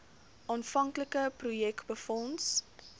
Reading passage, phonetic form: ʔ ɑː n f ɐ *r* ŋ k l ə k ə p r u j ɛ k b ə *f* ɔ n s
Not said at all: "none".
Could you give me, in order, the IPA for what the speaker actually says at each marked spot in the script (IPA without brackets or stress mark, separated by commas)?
none, f